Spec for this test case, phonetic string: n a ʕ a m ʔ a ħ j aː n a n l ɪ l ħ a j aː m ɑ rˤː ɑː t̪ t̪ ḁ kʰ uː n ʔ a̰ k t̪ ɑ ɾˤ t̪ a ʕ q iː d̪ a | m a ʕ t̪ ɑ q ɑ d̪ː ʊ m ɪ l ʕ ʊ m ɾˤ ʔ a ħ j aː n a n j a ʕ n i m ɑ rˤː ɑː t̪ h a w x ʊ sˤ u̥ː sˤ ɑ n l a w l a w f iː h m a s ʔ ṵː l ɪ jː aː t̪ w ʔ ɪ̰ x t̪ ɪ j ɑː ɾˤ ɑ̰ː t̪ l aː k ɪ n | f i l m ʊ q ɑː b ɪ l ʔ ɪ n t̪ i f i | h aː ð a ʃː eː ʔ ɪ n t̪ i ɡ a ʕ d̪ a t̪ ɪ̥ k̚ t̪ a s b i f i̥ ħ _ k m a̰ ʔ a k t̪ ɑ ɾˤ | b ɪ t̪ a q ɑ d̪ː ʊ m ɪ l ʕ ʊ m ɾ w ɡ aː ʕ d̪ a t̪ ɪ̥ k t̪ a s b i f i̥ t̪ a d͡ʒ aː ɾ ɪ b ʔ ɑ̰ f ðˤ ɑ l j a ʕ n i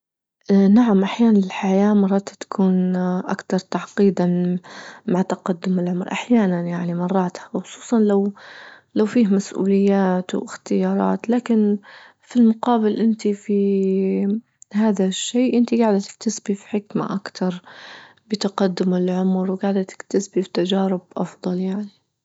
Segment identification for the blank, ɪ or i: ɪ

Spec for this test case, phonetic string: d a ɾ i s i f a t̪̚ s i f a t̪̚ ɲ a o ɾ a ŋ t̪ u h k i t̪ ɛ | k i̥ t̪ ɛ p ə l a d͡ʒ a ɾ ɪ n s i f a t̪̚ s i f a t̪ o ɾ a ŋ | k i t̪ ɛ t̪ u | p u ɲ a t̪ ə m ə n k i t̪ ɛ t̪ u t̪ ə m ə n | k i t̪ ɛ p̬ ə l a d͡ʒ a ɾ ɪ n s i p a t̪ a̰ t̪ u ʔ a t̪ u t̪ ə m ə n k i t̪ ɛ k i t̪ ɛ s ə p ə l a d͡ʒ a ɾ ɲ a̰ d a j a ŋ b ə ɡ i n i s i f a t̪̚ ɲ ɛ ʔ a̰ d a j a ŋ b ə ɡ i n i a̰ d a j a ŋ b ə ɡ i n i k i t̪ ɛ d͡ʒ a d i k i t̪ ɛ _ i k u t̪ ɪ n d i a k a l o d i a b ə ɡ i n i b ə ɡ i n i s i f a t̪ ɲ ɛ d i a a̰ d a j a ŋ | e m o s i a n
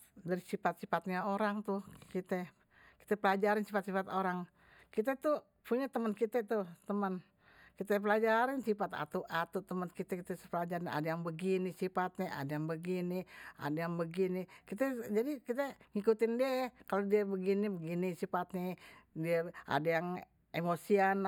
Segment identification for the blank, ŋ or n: ŋ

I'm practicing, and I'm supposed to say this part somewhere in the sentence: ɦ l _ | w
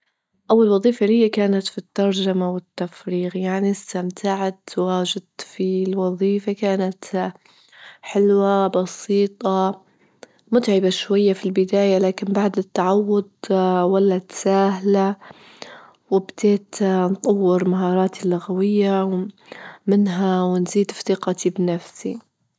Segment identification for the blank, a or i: a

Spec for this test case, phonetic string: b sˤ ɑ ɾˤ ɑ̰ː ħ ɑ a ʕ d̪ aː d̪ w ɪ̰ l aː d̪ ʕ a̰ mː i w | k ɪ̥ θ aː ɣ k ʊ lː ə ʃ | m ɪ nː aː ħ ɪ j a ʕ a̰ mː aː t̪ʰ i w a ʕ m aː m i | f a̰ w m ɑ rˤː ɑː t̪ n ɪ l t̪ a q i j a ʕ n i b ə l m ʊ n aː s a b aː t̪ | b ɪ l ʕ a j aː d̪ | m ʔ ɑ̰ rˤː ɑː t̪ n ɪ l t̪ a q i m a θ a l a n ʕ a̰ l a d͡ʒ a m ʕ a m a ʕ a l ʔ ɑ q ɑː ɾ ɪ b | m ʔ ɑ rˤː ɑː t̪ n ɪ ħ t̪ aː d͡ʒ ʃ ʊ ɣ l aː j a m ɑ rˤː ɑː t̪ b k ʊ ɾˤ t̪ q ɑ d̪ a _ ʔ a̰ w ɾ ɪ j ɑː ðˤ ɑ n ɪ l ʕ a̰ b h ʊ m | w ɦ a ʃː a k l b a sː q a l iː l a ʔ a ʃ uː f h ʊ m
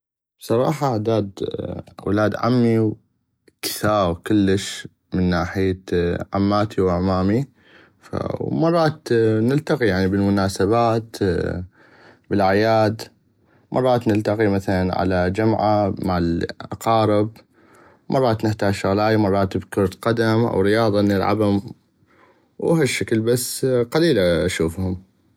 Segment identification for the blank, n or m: m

